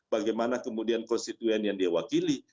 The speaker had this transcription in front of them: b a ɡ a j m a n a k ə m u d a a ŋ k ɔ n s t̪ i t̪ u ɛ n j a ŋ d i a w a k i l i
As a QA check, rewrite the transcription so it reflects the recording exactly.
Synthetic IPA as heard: b a ɡ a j m a n a k ə m u d i a n k ɔ n s t̪ i t̪ u ɛ n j a ŋ d i a w a k i l i